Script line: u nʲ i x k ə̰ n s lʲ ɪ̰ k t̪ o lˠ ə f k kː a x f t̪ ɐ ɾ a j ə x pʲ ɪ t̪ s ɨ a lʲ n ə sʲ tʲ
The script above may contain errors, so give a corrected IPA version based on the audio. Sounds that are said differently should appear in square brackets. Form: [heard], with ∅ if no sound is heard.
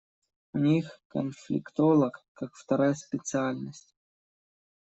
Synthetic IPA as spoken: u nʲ i x k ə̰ n [f] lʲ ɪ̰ k t̪ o lˠ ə [∅] k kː a [k] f t̪ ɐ ɾ a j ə [s] pʲ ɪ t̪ s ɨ a lʲ n ə sʲ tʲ